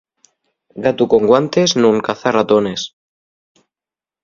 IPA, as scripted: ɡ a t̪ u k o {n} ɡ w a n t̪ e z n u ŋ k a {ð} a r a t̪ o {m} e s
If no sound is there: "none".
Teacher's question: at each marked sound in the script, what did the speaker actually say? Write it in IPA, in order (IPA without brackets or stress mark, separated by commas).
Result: ŋ, θ, n